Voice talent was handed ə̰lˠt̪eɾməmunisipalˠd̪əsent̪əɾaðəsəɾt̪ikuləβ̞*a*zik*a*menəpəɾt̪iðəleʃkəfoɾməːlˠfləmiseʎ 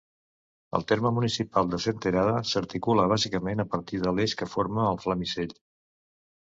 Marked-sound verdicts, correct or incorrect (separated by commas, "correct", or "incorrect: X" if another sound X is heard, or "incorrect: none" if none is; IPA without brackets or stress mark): correct, incorrect: ə